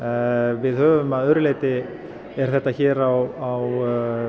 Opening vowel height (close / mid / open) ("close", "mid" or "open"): close